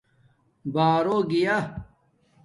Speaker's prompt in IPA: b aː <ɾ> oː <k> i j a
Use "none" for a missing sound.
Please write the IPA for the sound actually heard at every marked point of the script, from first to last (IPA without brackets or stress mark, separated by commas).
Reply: ɾ, ɡ